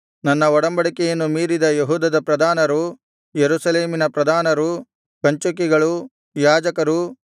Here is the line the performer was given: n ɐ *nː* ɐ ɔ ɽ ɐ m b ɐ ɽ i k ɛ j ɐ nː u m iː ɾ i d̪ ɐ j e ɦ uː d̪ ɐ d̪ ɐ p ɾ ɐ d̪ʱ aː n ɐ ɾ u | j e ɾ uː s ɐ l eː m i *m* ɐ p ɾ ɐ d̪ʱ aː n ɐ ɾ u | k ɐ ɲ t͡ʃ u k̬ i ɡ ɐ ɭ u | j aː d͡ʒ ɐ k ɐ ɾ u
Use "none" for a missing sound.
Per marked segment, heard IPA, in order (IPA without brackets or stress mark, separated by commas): nː, n